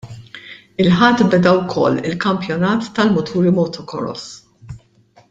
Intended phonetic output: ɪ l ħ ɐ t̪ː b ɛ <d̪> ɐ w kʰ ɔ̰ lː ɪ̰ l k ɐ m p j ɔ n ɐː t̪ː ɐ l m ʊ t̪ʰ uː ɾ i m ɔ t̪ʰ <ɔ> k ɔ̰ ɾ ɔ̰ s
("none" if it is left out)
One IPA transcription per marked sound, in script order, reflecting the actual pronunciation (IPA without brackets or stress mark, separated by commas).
d̪, ɔ